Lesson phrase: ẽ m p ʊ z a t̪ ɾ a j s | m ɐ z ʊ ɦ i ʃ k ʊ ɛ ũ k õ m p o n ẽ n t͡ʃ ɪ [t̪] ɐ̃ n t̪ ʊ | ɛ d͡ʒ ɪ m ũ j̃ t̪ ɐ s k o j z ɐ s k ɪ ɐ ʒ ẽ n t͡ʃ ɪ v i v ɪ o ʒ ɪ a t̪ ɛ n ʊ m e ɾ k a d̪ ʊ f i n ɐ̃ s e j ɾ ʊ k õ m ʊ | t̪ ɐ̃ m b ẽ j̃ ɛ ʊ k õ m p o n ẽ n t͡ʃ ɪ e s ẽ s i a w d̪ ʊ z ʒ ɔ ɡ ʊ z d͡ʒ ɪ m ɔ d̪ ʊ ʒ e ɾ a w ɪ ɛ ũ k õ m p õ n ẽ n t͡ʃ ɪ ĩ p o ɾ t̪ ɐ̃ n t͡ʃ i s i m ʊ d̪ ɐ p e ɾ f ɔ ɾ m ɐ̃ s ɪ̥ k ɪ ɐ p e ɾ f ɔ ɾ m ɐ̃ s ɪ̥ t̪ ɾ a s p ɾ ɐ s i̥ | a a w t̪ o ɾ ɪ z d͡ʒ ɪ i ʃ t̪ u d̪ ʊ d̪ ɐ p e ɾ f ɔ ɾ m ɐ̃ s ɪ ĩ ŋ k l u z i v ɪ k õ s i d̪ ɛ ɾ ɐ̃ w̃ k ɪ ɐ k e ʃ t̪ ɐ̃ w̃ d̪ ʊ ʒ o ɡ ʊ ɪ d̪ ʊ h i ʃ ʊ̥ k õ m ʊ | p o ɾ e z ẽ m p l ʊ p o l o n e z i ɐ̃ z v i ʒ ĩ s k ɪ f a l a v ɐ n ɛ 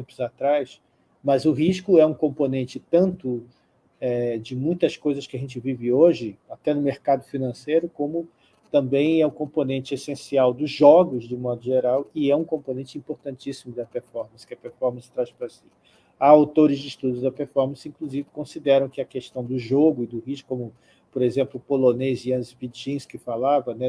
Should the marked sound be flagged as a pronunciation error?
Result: no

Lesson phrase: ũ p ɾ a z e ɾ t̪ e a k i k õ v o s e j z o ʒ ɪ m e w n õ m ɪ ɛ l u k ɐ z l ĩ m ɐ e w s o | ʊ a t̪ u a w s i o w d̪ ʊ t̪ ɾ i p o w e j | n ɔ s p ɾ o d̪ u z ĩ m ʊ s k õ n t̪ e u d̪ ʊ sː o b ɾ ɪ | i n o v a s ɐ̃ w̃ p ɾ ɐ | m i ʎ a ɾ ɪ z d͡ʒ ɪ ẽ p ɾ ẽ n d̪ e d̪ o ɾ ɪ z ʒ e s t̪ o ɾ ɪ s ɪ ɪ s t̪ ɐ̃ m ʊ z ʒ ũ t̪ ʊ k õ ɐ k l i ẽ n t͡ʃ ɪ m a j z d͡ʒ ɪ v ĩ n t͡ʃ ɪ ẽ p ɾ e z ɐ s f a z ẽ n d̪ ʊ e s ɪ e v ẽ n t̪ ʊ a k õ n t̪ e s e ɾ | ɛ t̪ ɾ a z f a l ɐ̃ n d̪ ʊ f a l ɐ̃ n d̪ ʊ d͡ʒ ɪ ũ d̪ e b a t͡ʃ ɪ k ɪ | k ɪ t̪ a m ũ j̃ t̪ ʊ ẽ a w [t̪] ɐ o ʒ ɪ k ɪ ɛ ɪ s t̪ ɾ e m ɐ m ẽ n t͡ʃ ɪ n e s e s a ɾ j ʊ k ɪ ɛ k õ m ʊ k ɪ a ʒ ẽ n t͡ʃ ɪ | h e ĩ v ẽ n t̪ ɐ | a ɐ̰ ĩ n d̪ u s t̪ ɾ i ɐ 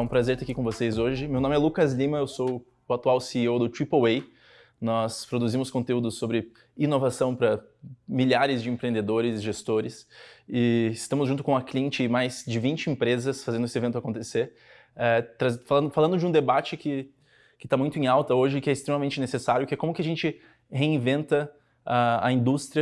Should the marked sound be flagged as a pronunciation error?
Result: no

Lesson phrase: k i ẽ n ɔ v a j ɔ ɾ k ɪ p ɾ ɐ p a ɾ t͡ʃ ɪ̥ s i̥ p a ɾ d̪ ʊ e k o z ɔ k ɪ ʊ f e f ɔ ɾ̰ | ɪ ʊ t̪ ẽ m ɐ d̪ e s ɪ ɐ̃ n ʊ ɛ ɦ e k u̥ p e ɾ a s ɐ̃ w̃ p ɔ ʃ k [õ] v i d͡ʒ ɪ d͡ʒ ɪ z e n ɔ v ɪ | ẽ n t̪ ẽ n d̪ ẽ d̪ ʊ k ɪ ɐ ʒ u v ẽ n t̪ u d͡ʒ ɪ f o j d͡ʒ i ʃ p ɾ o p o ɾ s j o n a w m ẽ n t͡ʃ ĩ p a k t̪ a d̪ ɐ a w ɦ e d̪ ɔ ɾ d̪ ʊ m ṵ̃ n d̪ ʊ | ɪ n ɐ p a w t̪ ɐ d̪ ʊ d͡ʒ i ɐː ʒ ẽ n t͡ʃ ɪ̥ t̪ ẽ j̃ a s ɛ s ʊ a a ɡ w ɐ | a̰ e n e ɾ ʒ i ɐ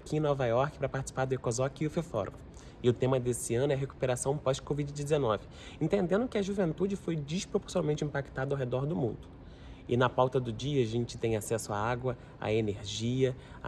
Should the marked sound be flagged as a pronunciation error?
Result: yes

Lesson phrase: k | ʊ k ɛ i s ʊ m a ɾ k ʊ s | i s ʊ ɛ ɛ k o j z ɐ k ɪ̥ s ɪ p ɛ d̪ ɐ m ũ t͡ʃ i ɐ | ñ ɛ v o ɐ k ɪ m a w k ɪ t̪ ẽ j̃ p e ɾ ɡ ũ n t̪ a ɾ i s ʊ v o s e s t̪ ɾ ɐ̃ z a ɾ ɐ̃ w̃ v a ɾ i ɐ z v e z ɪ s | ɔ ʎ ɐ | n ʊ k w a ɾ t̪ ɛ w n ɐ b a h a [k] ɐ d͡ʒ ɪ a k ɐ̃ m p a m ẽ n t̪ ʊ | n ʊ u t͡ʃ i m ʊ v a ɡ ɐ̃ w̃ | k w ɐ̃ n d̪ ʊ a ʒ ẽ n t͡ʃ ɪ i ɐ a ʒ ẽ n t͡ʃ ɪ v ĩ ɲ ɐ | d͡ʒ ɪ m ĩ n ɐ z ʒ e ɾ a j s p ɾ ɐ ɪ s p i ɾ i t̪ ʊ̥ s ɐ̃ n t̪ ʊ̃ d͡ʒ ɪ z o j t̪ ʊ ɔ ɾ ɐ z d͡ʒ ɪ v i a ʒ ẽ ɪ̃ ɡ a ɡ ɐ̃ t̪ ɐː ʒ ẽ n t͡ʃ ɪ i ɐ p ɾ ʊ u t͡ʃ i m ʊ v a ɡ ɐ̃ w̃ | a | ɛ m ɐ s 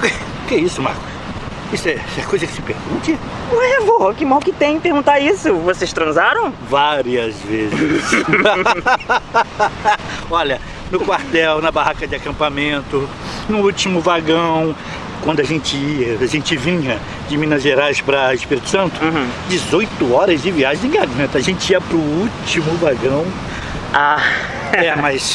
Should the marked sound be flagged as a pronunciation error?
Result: no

